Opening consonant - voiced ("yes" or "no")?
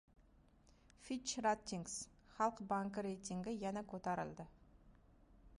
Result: no